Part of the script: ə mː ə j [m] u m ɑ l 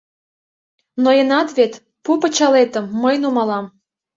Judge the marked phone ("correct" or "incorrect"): incorrect